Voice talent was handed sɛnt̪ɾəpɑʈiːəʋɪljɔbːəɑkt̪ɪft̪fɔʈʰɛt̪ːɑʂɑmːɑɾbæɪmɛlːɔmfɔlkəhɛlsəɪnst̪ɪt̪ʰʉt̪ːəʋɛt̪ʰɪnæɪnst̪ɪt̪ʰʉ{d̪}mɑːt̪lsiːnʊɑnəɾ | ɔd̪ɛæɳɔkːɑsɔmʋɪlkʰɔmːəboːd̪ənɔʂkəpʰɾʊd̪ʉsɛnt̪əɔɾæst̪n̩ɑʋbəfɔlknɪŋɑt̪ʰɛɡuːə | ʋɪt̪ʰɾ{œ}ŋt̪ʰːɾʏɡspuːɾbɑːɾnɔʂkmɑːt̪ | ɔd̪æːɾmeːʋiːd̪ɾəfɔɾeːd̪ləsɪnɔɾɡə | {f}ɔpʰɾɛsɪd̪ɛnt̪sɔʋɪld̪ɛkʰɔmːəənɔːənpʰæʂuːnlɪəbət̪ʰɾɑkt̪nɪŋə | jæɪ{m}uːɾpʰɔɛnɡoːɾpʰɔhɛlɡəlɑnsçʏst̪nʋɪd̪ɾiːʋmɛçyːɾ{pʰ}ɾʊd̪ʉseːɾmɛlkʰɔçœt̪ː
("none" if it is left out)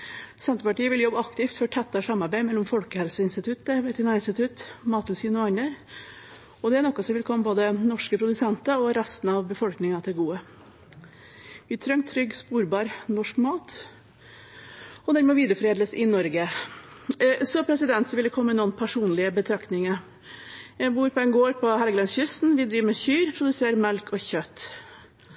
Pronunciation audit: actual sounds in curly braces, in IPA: t̪, œ, s, b, pʰ

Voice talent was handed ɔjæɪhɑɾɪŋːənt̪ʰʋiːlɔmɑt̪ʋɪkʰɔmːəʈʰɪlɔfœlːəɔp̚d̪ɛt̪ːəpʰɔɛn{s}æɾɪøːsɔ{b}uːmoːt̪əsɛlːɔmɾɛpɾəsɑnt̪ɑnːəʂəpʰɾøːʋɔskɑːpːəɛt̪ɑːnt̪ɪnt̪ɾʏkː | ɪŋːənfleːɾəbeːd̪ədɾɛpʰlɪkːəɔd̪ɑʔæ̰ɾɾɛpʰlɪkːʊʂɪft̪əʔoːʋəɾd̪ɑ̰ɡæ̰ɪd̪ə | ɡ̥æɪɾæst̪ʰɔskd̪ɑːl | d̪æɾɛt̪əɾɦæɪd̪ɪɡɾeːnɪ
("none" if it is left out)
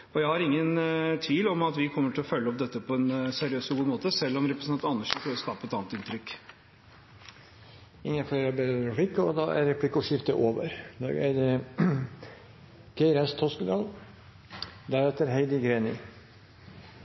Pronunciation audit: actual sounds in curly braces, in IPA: s, ɡ

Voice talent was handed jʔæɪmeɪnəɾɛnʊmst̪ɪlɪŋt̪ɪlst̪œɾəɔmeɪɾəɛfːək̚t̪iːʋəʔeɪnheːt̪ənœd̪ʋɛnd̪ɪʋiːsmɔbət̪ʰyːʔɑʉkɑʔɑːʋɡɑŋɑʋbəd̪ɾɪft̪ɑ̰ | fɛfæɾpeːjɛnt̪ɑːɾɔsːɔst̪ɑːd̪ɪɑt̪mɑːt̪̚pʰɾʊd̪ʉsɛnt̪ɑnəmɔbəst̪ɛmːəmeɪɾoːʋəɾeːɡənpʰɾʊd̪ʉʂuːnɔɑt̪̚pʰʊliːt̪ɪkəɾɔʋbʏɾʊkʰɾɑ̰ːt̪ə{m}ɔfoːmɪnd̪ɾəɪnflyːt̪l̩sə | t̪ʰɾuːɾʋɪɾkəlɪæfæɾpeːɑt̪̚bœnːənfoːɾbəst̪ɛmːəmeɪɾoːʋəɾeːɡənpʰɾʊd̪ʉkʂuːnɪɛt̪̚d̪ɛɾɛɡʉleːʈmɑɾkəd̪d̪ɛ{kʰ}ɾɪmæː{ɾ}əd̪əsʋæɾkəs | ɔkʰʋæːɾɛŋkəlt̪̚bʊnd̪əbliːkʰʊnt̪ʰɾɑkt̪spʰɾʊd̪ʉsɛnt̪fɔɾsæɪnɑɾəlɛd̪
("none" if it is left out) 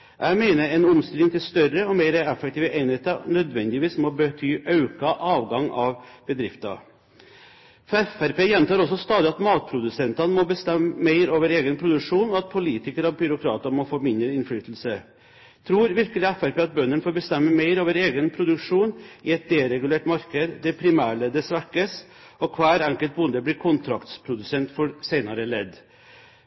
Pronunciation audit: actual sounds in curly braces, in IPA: m, pʰ, ɭ

